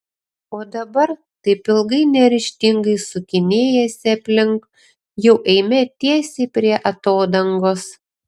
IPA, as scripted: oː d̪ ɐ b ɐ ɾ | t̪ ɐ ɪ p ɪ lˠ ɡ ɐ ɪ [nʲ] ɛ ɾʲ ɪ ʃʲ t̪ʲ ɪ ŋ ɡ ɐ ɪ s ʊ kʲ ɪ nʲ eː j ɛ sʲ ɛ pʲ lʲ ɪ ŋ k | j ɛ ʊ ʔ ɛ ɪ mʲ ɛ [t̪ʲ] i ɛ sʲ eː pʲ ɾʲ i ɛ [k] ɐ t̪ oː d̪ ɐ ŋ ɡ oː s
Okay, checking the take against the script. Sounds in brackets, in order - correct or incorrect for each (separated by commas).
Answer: correct, correct, incorrect